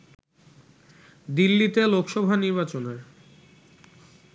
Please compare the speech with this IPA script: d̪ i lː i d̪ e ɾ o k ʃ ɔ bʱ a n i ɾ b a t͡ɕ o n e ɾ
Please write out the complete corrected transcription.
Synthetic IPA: d̪ i lː i t̪ e l o k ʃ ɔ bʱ a n i ɾ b a t͡ɕ o n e ɾ